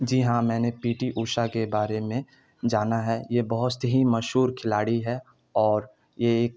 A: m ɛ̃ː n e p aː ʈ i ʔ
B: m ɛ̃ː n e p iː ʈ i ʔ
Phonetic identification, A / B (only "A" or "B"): B